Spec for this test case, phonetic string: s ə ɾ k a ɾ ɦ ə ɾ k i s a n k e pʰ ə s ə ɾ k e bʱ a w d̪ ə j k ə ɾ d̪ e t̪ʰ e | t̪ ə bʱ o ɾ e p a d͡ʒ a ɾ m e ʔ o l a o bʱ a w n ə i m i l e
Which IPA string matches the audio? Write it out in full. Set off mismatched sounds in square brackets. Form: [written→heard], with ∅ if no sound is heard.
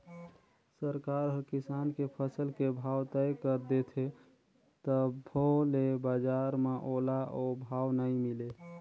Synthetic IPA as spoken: s ə ɾ k a ɾ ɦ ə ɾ k i s a n k e pʰ ə s ə [ɾ→l] k e bʱ a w [d̪→t̪] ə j k ə ɾ d̪ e t̪ʰ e | t̪ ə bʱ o [ɾ→l] e [p→b] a d͡ʒ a ɾ m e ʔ o l a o bʱ a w n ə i m i l e